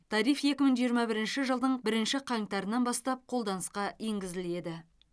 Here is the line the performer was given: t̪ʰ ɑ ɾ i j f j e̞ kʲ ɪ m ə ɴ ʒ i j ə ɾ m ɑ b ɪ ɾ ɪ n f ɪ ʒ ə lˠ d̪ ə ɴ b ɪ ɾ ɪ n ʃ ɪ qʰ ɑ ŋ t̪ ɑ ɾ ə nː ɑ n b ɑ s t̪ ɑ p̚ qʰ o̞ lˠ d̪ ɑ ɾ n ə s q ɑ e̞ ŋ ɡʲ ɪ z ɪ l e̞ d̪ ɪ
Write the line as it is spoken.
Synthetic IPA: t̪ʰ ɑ ɾ i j f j e̞ kʲ ɪ m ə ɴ ʒ i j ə ɾ m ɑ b ɪ ɾ ɪ n ʃ ɪ ʒ ə lˠ d̪ ə ɴ b ɪ ɾ ɪ n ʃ ɪ qʰ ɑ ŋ t̪ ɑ ɾ ə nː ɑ n b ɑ s t̪ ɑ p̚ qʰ o̞ lˠ d̪ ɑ n ə s q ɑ e̞ ŋ ɡʲ ɪ z ɪ l e̞ d̪ ɪ